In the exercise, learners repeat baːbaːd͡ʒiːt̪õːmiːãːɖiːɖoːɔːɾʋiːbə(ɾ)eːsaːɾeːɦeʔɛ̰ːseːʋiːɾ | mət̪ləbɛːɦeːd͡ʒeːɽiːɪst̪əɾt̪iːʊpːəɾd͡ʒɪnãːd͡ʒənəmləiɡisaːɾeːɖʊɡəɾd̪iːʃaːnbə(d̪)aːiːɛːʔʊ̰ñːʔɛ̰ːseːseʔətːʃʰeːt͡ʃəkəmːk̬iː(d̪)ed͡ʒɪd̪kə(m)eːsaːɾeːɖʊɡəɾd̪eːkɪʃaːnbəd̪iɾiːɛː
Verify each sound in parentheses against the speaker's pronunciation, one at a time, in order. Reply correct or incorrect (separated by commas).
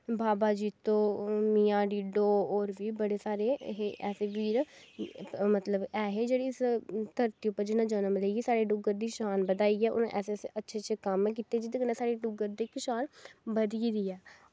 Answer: incorrect, correct, incorrect, incorrect